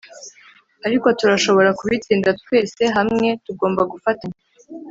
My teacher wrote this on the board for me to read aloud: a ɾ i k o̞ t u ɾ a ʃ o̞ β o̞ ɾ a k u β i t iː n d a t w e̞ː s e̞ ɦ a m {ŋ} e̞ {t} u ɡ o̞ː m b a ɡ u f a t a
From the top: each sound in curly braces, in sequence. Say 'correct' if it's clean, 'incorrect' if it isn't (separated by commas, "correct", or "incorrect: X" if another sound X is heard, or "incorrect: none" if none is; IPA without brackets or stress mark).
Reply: correct, correct